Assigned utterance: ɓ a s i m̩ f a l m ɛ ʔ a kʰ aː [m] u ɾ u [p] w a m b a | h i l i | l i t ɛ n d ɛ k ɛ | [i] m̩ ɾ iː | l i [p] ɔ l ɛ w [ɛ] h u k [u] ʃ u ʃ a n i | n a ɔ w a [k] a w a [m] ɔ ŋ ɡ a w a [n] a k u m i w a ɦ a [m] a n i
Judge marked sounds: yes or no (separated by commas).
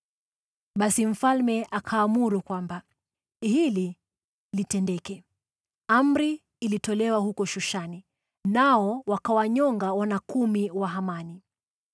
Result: yes, no, no, no, no, no, yes, no, yes, yes